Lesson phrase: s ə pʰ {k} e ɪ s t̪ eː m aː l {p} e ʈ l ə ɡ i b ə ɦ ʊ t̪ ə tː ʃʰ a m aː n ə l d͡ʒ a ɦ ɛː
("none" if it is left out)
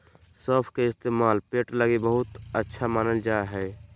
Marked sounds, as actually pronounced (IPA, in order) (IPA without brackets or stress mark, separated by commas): k, p